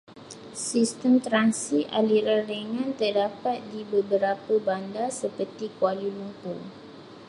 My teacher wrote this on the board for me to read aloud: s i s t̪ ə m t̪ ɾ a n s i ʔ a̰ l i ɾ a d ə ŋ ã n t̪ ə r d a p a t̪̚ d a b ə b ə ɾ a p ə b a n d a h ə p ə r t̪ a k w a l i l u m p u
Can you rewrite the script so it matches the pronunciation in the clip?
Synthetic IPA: s i s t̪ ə m t̪ ɾ a n s i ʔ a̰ l i ɾ a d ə ŋ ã n t̪ ə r d a p a t̪̚ d i b ə b ə ɾ a p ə b a n d a s ə p ə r t̪ i k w a l i l u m p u